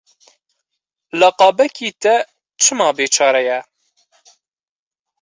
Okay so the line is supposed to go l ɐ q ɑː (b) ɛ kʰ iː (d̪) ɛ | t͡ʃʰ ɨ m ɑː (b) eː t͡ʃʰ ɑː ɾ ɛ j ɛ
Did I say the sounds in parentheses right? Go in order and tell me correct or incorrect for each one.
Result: correct, incorrect: t̪, correct

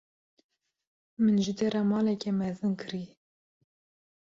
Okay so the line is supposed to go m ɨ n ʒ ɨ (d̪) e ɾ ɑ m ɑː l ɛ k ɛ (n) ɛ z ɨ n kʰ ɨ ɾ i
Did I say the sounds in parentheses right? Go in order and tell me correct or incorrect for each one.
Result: correct, incorrect: m

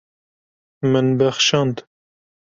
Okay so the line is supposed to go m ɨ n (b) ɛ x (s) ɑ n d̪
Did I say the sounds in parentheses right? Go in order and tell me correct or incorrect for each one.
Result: correct, incorrect: ʃ

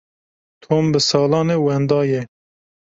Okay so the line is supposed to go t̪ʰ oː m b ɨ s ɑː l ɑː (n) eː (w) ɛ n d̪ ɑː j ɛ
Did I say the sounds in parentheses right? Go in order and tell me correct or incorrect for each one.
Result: correct, correct

